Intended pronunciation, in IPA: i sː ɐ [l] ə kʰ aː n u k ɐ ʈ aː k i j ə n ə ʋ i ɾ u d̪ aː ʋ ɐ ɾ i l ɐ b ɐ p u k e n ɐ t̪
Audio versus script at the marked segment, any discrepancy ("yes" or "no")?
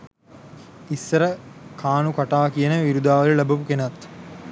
yes